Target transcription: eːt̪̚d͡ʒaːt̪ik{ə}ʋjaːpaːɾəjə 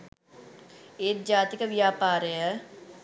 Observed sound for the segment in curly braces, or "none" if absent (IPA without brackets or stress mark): ə